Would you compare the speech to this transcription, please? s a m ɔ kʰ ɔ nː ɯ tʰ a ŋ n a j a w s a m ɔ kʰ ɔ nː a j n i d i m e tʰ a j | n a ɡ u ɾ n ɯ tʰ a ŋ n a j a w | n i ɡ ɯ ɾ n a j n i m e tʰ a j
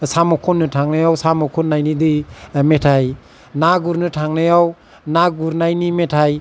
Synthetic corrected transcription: s a m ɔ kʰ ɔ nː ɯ tʰ a ŋ n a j a w s a m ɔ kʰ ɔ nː a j n i d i m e tʰ a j | n a ɡ u ɾ n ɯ tʰ a ŋ n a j a w | n a ɡ u ɾ n a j n i m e tʰ a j